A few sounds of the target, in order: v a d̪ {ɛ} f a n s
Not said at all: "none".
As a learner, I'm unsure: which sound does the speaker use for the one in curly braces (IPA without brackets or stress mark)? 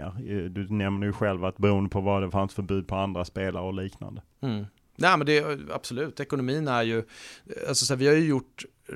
ɛ